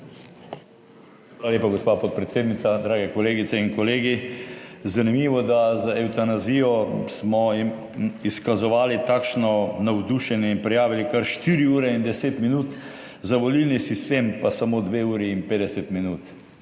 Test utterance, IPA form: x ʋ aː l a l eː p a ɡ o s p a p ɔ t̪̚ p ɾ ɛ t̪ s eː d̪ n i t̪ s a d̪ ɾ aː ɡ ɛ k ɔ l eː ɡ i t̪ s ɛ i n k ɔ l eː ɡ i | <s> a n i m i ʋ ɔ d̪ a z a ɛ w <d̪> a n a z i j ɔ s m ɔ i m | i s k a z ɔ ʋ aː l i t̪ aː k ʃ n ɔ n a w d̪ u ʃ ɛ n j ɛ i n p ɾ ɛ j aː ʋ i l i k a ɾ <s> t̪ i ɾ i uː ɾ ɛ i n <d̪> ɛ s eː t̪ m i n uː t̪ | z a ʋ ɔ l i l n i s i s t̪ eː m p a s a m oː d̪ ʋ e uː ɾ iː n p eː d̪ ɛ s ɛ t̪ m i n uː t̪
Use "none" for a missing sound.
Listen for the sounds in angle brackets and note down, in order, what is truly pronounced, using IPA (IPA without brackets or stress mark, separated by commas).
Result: z, t̪, ʃ, d̪